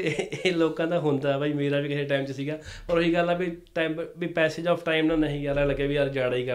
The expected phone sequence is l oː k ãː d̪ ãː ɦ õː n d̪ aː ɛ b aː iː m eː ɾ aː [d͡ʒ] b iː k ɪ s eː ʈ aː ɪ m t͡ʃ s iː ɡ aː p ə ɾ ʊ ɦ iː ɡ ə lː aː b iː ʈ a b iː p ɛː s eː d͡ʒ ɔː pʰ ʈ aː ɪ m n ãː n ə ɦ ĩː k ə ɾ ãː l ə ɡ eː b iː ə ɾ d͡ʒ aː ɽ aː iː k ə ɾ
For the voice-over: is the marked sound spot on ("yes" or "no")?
no